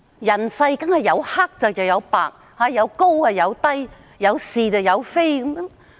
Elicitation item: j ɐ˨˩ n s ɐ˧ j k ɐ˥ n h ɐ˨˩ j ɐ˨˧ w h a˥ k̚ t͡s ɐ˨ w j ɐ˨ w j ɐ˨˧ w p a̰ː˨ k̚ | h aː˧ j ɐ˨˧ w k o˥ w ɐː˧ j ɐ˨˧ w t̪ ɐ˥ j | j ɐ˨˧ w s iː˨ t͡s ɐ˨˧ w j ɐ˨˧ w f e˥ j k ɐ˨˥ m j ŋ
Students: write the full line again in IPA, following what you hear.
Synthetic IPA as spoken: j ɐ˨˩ n s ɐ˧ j k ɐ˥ n h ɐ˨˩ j ɐ˨˧ w h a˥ k̚ t͡s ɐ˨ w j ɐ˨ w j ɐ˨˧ w p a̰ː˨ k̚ | h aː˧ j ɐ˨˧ w k o˥ w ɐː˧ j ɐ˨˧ w t̪ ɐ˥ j | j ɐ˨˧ w s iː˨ t͡s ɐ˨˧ w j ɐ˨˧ w f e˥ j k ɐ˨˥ m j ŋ